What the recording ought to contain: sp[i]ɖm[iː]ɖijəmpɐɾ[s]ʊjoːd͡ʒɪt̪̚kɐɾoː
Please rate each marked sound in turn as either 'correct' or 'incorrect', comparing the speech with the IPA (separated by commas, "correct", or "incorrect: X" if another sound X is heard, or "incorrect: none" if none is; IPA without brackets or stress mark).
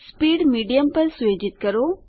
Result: incorrect: iː, correct, correct